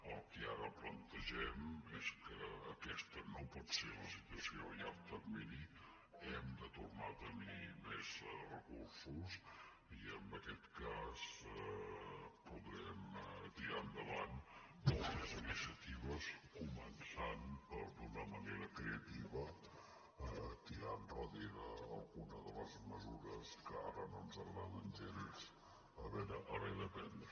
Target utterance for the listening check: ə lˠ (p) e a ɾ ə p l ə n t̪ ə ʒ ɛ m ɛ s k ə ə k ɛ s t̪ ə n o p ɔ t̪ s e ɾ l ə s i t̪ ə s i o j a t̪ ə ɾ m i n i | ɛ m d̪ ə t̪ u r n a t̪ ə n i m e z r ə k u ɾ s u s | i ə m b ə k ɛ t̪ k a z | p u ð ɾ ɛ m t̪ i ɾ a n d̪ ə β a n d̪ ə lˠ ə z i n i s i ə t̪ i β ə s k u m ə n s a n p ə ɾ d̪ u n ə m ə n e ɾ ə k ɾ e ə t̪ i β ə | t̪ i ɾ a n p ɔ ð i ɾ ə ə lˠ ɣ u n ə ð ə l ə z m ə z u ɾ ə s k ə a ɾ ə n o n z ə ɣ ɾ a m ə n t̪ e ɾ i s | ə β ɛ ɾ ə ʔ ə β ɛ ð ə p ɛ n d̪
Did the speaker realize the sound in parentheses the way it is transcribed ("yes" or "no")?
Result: no